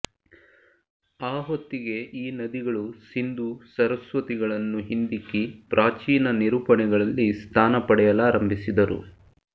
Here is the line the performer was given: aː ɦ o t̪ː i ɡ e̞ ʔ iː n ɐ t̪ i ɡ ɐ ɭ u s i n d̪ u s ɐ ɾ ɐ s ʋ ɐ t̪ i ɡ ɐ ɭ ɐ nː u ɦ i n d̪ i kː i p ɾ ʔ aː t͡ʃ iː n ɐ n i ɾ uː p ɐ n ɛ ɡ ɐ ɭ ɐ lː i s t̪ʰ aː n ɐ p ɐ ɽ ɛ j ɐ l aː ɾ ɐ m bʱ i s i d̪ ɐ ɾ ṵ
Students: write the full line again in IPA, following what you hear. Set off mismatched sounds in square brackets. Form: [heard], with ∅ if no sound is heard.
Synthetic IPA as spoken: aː ɦ o t̪ː i ɡ e̞ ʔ iː n ɐ [d̪] i ɡ ɐ ɭ u s i n d̪ u s ɐ ɾ ɐ s ʋ ɐ t̪ i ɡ ɐ ɭ ɐ nː u ɦ i n d̪ i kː i p ɾ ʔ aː t͡ʃ iː n ɐ n i ɾ uː p ɐ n ɛ ɡ ɐ ɭ ɐ lː i s t̪ʰ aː n ɐ p ɐ ɽ ɛ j ɐ l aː ɾ ɐ m bʱ i s i d̪ ɐ ɾ ṵ